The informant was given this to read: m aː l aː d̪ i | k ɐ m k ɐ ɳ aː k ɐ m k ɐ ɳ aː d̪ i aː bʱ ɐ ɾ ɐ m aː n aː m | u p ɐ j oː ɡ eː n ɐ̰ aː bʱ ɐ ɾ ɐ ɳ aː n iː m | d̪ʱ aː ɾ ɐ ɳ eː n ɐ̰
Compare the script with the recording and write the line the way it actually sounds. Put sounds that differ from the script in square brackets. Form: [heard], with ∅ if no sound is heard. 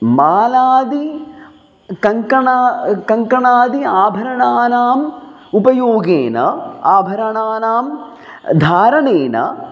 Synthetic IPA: m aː l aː d̪ i | k ɐ [ŋ] k ɐ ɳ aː k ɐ [ŋ] k ɐ ɳ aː d̪ i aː bʱ ɐ ɾ ɐ [ɳ] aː n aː m | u p ɐ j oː ɡ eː n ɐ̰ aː bʱ ɐ ɾ ɐ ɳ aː n [aː] m | d̪ʱ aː ɾ ɐ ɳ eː n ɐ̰